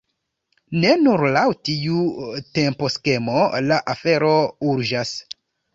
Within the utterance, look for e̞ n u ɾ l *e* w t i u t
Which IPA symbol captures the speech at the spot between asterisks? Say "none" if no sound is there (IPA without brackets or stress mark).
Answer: a